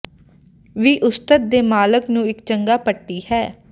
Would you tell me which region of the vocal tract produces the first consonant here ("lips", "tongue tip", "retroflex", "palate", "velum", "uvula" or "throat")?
lips